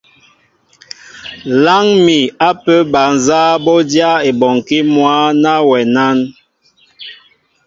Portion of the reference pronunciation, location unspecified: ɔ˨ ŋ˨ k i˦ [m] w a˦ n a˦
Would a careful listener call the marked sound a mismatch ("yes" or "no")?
no